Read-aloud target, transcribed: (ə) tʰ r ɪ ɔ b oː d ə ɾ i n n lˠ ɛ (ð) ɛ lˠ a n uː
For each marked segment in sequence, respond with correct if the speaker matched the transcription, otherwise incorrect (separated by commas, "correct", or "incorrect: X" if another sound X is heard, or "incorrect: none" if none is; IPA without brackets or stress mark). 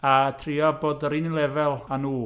incorrect: a, incorrect: v